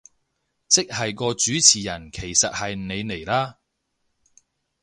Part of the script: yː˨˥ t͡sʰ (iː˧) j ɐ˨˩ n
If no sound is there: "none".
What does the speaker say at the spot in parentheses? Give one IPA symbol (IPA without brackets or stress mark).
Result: iː˨˩